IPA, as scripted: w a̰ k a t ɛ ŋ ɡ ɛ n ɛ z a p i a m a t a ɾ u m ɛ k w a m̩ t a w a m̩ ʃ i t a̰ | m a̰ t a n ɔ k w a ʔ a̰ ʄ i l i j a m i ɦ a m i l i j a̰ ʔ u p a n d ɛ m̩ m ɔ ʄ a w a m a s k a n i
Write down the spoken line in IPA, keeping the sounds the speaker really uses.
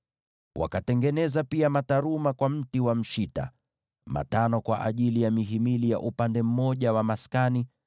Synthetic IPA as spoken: w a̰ k a t ɛ ŋ ɡ ɛ n ɛ z a p i a m a t a ɾ u m a k w a m̩ t i w a m̩ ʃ i t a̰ | m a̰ t a n ɔ k w a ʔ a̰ ʄ i l i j a m i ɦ i m i l i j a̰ ʔ u p a n d ɛ m̩ m ɔ ʄ a w a m a s k a n i

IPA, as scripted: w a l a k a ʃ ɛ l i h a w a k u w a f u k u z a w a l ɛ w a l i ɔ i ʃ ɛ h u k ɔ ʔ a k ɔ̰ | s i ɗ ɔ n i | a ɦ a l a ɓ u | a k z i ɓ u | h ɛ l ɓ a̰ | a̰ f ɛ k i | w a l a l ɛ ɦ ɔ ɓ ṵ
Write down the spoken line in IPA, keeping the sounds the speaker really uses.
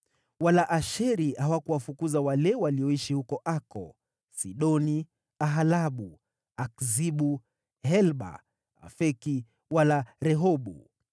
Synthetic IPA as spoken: w a l a ʔ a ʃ ɛ ɾ i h a w a k u w a f u k u z a w a l ɛ w a l i ɔ i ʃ i h u k ɔ ʔ a k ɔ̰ | s i ɗ ɔ n i | a ɦ a l a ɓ u | a k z i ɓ u | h ɛ l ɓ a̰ | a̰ f ɛ k i | w a l a ɾ ɛ ɦ ɔ ɓ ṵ

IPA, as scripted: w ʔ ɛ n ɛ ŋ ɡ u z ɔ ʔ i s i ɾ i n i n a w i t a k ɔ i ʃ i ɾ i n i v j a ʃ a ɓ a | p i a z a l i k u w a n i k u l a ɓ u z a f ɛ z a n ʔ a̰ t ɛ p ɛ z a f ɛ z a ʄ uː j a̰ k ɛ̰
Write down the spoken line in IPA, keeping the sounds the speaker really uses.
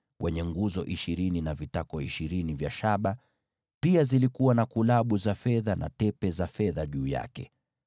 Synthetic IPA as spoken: w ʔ ɛ ɲ ɛ ŋ ɡ u z ɔ ʔ i ʃ i ɾ i n i n a v i t a k ɔ i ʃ i ɾ i n i v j a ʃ a ɓ a | p i a z i l i k u w a n a k u l a ɓ u z a f ɛ ð a n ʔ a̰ t ɛ p ɛ z a f ɛ ð a ʄ uː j a̰ k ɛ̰

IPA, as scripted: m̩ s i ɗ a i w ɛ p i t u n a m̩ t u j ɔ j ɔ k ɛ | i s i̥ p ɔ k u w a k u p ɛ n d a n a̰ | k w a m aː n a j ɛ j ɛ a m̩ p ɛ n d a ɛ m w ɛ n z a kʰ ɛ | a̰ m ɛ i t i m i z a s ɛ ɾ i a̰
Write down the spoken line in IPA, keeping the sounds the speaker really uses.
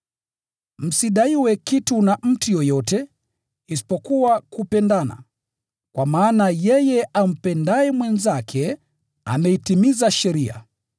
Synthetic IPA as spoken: m̩ s i ɗ a i w ɛ k i t u n a m̩ t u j ɔ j ɔ t ɛ | i s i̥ p ɔ k u w a k u p ɛ n d a n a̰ | k w a m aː n a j ɛ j ɛ a m̩ p ɛ n d a ɛ m w ɛ n z a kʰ ɛ | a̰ m ɛ i t i m i z a ʃ ɛ ɾ i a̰

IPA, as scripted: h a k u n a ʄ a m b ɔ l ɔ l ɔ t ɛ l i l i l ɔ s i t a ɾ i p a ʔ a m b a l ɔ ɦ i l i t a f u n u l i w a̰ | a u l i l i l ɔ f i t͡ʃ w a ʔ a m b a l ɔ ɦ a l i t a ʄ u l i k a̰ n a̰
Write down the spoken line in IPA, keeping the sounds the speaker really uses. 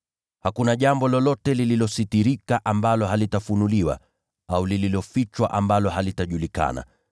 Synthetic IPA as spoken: h a k u n a ʄ a m b ɔ l ɔ l ɔ t ɛ l i l i l ɔ s i t i ɾ i k a ʔ a m b a l ɔ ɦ a l i t a f u n u l i w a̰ | a u l i l i l ɔ f i t͡ʃ w a ʔ a m b a l ɔ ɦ a l i t a ʄ u l i k a̰ n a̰

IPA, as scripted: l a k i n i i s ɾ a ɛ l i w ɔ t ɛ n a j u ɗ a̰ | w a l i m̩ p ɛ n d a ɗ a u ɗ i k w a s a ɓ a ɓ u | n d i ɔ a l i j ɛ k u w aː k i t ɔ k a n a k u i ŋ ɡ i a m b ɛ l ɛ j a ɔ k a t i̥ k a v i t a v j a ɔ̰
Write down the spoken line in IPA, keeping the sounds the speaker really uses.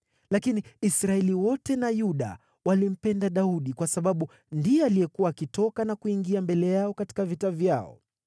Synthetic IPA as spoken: l a k i n i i s ɾ a ɛ l i w ɔ t ɛ n a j u ɗ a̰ | w a l i m̩ p ɛ n d a ɗ a u ɗ i k w a s a ɓ a ɓ u | n d i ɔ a l i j ɛ k u w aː k i t ɔ k a n a k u i ŋ ɡ i a m b ɛ l ɛ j a ɔ k a t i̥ k a v i t a v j a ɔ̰

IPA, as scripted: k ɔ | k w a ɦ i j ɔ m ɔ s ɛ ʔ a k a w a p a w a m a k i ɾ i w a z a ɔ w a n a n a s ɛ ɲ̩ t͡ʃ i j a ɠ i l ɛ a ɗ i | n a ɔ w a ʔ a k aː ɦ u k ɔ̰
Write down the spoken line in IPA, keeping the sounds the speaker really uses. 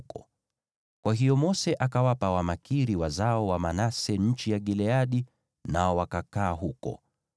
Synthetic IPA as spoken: k ɔ | k w a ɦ i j ɔ m ɔ s ɛ ʔ a k a w a p a w a m a k i ɾ i w a z a ɔ w a m a n a s ɛ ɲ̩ t͡ʃ i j a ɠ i l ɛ a ɗ i | n a ɔ w a k a k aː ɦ u k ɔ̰

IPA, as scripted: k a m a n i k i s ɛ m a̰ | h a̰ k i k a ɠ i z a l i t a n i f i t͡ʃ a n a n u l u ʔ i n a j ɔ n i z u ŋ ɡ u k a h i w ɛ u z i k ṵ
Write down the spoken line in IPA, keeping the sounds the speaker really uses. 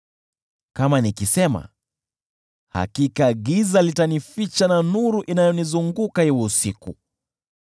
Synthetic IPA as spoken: k a m a n i k i s ɛ m a̰ | h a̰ k i k a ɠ i z a l i t a n i f i t͡ʃ a n a n u ɾ u ʔ i n a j ɔ n i z u ŋ ɡ u k a h i w ɛ u s i k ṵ

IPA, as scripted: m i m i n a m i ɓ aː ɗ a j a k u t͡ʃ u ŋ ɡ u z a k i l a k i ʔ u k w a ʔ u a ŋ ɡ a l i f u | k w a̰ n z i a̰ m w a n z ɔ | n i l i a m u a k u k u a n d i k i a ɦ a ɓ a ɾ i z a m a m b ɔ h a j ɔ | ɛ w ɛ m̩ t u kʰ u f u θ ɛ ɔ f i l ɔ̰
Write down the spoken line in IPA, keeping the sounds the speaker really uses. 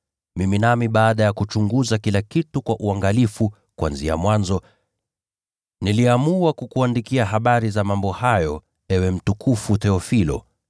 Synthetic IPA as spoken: m i m i n a m i ɓ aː ɗ a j a k u t͡ʃ u ŋ ɡ u z a k i l a k i t u k w a ʔ u a ŋ ɡ a l i f u | k w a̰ n z i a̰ m w a n z ɔ | n i l i a m u a k u k u a n d i k i a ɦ a ɓ a ɾ i z a m a m b ɔ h a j ɔ | ɛ w ɛ m̩ t u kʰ u f u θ ɛ ɔ f i l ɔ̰

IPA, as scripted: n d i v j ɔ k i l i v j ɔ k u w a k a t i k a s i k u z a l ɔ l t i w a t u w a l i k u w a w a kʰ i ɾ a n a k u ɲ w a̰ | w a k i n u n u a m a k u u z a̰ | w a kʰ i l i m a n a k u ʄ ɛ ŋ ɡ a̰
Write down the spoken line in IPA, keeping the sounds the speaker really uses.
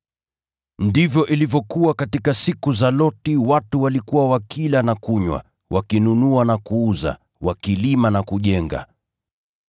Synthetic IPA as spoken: n d i v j ɔ ʔ i l i v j ɔ k u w a k a t i k a s i k u z a l ɔ t i w a t u w a l i k u w a w a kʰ i l a n a k u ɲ w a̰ | w a k i n u n u a n a k u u z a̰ | w a k i l i m a n a k u ʄ ɛ ŋ ɡ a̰

